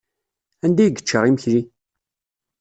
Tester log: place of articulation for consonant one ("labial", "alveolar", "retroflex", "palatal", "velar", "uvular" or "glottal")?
alveolar